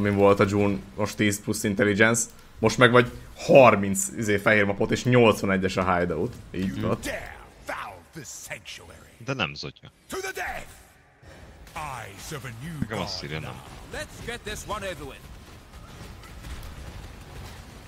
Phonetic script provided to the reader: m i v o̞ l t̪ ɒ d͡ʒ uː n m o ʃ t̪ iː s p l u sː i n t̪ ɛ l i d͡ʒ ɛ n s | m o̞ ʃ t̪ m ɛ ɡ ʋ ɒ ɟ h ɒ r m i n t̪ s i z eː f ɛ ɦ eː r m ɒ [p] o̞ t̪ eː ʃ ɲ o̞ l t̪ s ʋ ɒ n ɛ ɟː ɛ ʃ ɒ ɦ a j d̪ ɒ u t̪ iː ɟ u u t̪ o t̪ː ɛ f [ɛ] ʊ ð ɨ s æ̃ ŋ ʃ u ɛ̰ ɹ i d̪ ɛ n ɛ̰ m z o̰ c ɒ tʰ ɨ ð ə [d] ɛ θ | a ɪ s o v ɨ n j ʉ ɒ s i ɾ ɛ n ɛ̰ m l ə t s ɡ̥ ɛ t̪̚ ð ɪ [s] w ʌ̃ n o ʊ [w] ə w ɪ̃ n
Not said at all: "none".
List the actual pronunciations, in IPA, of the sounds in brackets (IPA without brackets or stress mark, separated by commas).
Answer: p, a, d, s, v